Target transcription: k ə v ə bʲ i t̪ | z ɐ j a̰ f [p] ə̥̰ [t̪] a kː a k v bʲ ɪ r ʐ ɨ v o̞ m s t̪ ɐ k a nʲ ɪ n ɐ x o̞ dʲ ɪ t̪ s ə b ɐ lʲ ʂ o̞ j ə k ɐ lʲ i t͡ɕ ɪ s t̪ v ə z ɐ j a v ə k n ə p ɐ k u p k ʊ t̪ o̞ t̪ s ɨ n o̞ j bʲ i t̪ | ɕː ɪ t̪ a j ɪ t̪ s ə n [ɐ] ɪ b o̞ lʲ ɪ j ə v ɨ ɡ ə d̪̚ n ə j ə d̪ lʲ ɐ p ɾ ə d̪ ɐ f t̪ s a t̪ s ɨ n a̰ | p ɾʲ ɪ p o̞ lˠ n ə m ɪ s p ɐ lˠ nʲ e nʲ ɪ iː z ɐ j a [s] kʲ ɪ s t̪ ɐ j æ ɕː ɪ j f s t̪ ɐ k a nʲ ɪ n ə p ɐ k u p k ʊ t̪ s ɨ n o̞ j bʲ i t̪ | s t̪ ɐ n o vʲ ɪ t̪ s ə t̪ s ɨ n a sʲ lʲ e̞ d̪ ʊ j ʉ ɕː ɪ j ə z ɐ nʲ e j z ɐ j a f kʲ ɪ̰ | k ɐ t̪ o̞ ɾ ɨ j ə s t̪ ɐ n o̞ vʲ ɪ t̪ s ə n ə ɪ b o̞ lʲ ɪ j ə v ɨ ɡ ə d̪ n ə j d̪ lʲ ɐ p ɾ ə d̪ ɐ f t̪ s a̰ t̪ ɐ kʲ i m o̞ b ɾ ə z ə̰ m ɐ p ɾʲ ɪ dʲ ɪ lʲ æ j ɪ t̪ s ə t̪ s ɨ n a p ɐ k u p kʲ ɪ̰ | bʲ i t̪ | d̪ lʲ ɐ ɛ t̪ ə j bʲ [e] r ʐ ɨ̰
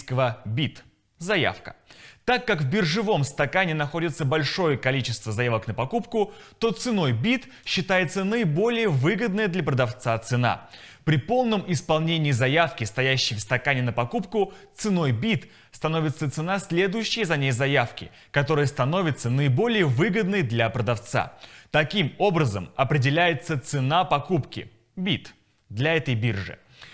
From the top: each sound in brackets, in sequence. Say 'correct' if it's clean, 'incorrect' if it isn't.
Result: incorrect: k, correct, incorrect: ə, incorrect: f, incorrect: i

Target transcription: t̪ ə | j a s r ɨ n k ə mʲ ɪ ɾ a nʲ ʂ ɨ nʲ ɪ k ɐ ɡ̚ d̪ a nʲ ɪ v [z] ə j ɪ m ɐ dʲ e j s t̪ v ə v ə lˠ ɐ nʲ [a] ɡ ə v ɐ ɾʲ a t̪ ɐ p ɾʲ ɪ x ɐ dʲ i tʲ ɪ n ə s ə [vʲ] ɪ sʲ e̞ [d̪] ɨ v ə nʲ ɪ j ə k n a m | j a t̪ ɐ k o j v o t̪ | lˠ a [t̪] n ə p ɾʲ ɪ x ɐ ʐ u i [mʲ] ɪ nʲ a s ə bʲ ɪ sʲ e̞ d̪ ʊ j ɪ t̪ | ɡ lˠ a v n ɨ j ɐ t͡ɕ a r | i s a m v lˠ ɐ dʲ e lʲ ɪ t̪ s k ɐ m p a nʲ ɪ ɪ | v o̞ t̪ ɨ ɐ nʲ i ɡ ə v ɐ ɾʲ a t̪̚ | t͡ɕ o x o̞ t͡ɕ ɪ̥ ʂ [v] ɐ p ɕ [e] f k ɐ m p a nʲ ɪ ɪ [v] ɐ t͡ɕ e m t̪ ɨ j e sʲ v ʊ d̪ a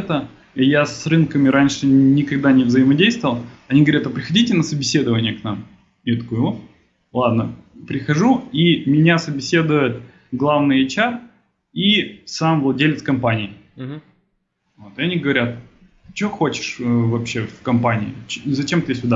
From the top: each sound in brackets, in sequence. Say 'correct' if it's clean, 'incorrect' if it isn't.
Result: correct, incorrect: i, incorrect: bʲ, correct, incorrect: d̪, correct, correct, correct, incorrect: z

